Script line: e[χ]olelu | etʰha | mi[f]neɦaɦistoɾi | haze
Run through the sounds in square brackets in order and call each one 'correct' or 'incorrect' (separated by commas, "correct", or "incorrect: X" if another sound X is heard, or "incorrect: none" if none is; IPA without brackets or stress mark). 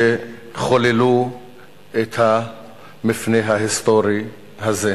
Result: correct, correct